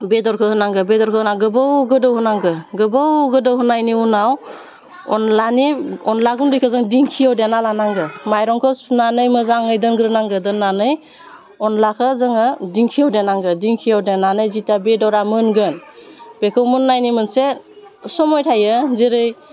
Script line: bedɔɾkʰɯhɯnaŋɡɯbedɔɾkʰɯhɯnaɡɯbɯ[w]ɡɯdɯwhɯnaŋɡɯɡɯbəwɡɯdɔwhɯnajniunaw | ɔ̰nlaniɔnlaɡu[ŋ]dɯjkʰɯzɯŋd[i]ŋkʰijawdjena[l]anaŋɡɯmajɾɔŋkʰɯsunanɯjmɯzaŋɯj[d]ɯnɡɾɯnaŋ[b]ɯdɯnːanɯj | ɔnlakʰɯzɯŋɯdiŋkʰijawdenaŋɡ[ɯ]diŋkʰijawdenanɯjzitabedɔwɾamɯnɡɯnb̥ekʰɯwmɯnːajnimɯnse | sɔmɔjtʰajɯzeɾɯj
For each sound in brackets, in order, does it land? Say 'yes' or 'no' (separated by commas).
yes, no, yes, yes, yes, no, yes